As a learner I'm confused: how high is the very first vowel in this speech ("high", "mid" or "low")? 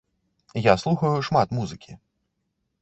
low